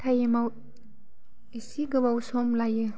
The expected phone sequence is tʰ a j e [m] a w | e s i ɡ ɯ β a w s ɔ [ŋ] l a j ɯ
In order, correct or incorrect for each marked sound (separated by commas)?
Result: correct, incorrect